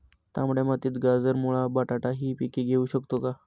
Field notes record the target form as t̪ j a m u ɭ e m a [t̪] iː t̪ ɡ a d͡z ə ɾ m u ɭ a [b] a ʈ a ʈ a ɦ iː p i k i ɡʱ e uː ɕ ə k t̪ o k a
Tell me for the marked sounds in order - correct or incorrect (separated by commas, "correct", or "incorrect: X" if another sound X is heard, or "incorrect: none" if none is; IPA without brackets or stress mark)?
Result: correct, correct